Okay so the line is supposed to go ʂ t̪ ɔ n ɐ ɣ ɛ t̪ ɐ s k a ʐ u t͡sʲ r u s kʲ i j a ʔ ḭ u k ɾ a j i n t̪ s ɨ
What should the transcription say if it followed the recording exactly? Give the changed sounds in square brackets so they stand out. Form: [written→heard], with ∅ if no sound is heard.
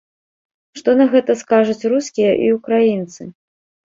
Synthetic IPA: ʂ t̪ ɔ n ɐ ɣ ɛ t̪ ɐ s k a ʐ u t͡sʲ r u s kʲ i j [a→ɐ] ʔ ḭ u k ɾ a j i n t̪ s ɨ